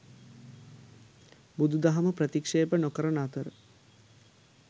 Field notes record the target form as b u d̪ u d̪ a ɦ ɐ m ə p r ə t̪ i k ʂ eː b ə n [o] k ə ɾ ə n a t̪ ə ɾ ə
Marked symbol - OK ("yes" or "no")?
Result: yes